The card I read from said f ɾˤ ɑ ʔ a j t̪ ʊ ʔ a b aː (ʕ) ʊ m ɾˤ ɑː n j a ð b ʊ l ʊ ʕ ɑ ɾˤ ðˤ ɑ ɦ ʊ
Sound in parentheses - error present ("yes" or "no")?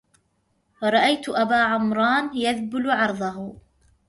no